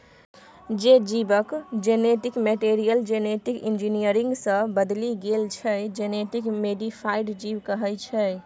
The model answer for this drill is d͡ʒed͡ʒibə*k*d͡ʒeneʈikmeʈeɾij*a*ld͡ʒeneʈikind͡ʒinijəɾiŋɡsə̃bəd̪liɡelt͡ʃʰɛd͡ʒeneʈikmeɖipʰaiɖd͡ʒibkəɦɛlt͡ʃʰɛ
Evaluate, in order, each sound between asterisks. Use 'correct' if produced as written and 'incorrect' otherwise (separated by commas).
correct, incorrect